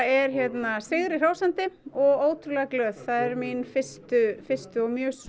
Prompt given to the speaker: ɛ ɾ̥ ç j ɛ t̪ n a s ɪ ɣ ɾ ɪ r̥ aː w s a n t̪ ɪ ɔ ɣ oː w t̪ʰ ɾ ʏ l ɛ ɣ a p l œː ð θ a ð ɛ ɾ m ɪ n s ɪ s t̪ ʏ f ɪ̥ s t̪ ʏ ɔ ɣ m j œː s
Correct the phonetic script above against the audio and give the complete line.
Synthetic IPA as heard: ɛ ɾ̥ ç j ɛ t̪ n a s ɪ ɣ ɾ ɪ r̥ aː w s a n t̪ ɪ ɔ ɣ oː w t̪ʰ ɾ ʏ l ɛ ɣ a k l œː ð θ a ð ɛ ɾ m i n f ɪ s t̪ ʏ f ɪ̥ s t̪ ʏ ɔ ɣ m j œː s